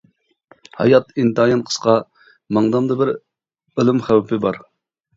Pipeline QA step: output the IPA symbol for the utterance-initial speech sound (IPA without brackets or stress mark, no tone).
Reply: h